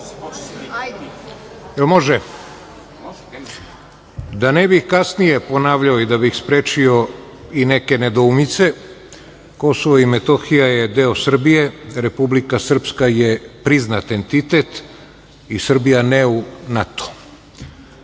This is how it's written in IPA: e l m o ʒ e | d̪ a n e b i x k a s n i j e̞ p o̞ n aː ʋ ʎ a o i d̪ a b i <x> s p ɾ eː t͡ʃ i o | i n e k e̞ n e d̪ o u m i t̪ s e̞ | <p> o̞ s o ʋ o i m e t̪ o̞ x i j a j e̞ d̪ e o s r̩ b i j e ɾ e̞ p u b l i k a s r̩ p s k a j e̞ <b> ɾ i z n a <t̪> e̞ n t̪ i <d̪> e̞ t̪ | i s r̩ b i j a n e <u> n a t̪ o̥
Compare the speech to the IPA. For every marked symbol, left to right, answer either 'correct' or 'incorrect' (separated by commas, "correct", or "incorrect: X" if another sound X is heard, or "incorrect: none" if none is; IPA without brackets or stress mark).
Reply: correct, incorrect: k, incorrect: p, correct, incorrect: t̪, correct